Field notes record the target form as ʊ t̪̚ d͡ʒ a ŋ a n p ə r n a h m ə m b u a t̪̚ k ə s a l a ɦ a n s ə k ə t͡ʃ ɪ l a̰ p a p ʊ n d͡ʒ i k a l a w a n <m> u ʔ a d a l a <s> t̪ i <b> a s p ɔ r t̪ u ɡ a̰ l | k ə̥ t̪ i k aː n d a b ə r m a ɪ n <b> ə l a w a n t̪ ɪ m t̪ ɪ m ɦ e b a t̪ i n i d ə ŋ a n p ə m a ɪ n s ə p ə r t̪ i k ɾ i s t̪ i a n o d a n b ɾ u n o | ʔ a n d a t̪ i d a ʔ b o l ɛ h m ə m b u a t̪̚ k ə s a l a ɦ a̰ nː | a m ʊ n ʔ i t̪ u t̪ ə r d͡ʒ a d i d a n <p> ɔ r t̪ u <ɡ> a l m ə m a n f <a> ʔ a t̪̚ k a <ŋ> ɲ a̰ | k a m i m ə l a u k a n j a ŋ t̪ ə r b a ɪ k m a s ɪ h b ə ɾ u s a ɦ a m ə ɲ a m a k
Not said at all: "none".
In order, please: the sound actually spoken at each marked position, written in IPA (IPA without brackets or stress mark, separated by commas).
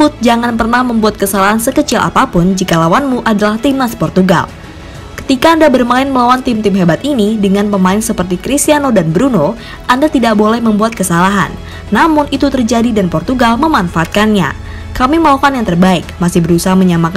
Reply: m, h, m, m, p, ɡ, a, n